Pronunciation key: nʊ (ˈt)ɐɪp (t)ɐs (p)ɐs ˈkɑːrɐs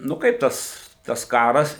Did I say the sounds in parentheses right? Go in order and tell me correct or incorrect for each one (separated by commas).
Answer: incorrect, correct, incorrect